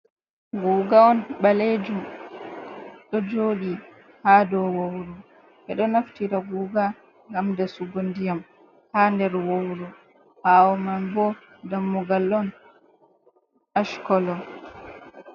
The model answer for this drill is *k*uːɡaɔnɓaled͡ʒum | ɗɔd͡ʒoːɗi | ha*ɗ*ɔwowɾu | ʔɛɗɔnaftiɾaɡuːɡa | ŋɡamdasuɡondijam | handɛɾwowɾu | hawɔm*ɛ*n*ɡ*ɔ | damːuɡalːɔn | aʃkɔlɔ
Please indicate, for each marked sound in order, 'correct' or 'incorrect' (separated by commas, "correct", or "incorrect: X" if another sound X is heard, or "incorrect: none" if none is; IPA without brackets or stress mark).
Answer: incorrect: ɡ, incorrect: d, incorrect: a, incorrect: b